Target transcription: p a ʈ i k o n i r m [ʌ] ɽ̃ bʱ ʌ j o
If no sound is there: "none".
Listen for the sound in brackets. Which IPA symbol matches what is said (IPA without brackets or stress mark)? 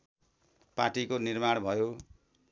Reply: a